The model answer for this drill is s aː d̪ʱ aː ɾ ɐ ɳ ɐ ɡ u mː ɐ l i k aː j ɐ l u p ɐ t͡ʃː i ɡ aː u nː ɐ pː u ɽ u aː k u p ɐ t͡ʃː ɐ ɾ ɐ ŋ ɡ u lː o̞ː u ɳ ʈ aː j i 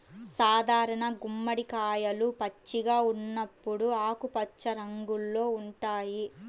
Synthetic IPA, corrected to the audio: s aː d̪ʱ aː ɾ ɐ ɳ ɐ ɡ u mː ɐ ɽ i k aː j ɐ l u p ɐ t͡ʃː i ɡ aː u nː ɐ pː u ɽ u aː k u p ɐ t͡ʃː ɐ ɾ ɐ ŋ ɡ u lː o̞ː u ɳ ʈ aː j i

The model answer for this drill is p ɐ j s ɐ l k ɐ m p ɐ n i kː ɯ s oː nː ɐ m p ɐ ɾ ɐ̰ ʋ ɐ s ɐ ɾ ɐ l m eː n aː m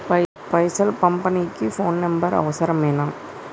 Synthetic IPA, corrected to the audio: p ɐ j s ɐ l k ɐ m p ɐ n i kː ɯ f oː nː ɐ m b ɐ ɾ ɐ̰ ʋ ɐ s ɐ ɾ ɐ m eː n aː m

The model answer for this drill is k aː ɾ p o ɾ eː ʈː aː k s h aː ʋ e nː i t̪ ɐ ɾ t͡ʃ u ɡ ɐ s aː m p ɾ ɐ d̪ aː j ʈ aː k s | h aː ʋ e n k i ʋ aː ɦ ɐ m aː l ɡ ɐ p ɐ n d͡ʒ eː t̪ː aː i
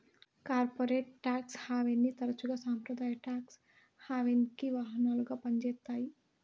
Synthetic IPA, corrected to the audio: k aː ɾ p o ɾ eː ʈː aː k s h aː ʋ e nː i t̪ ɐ ɾ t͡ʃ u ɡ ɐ s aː m p ɾ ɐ d̪ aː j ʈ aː k s | h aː ʋ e n k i ʋ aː ɦ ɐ n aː l ɡ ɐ p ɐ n d͡ʒ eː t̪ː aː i

